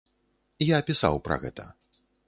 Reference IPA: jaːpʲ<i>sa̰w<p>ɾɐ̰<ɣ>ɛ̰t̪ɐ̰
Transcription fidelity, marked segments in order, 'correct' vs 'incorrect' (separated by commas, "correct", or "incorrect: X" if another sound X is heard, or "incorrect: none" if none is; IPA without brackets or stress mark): correct, correct, correct